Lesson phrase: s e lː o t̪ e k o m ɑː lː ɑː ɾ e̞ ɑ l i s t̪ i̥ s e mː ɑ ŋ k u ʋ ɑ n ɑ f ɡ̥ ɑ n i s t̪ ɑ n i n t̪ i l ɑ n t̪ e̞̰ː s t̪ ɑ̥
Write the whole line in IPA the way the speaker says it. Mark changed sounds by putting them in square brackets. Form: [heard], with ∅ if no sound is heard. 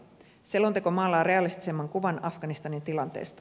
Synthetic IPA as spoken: s e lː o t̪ e k o m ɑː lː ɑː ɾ e̞ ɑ l i s t̪ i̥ s e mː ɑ ŋ k u ʋ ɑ n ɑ f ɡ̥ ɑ n i s t̪ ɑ n i n t̪ i l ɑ n t̪ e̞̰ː s t̪ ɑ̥